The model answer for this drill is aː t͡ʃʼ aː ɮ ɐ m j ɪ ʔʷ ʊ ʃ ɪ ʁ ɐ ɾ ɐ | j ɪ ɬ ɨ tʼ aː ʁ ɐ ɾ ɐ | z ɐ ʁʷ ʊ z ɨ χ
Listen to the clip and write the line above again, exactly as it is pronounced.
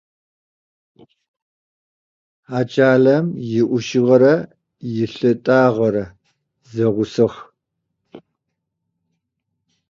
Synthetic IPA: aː t͡ʃʼ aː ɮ ɐ m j ɪ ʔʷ ʊ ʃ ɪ ʁ ɐ ɾ ɐ | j ɪ ɬ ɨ tʼ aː ʁ ɐ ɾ ɐ | z ɐ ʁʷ ʊ s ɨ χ